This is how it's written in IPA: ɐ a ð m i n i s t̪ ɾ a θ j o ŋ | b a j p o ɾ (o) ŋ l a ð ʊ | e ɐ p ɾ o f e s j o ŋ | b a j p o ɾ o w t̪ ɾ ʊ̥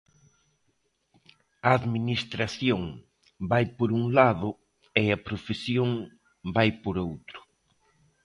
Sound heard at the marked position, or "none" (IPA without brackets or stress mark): u